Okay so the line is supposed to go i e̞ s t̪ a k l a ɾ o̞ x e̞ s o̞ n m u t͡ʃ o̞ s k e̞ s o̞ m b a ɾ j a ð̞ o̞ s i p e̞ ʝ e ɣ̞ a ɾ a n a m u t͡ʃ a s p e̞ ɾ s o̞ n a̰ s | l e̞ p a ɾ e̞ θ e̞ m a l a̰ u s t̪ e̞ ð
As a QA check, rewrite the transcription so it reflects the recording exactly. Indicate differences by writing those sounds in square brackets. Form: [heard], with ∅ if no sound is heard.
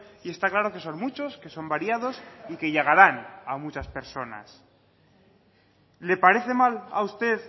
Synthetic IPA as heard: i e̞ s t̪ a k l a ɾ o̞ [k] e̞ s o̞ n m u t͡ʃ o̞ s k e̞ s o̞ m b a ɾ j a ð̞ o̞ s i [k] e̞ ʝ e ɣ̞ a ɾ a n a m u t͡ʃ a s p e̞ ɾ s o̞ n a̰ s | l e̞ p a ɾ e̞ θ e̞ m a l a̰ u s t̪ e̞ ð